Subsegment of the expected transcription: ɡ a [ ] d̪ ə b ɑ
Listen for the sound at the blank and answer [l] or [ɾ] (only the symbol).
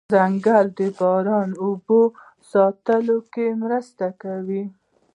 l